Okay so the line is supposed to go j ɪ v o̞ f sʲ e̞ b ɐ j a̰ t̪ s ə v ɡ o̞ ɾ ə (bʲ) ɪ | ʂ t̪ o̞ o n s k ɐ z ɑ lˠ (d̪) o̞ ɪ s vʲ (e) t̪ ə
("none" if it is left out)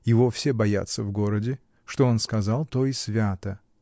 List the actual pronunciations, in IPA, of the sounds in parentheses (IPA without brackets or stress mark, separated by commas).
dʲ, t̪, a